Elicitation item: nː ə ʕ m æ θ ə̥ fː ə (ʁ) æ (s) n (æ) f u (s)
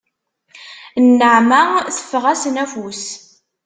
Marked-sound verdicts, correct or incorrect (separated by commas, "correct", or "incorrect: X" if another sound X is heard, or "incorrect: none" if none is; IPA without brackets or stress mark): correct, correct, correct, correct